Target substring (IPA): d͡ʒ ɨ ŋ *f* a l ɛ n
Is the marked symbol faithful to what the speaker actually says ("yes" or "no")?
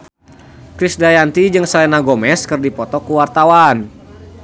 no